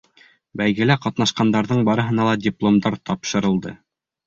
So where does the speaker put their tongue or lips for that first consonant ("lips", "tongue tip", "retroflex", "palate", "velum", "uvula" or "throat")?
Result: lips